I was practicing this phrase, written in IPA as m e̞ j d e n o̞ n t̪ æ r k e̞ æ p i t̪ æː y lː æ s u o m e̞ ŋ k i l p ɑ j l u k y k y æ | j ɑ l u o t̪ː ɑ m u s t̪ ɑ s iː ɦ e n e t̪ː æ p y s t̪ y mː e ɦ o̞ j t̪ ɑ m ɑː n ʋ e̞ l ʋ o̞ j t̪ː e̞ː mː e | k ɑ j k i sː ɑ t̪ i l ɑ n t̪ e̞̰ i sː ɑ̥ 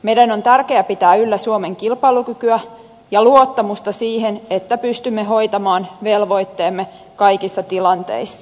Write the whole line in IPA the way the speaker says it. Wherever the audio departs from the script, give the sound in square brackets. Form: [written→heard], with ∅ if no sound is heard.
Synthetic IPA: m e̞ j d [e→æ] n o̞ n t̪ æ r k e̞ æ p i t̪ æː y lː æ s u o m e̞ ŋ k i l p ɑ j l u k y k y æ | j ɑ l u o t̪ː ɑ m u s t̪ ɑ s iː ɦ e n e t̪ː æ p y s t̪ y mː e ɦ o̞ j t̪ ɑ m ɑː n ʋ e̞ l ʋ o̞ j t̪ː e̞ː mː e | k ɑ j k i sː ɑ t̪ i l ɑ n t̪ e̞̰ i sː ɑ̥